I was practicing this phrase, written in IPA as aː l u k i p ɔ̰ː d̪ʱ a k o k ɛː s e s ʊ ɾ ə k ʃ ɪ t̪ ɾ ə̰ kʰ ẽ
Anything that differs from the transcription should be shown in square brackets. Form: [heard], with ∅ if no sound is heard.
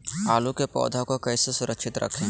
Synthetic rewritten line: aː l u k [e] p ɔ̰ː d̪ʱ a k o k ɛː s e s ʊ ɾ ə k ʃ ɪ t̪ ɾ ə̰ kʰ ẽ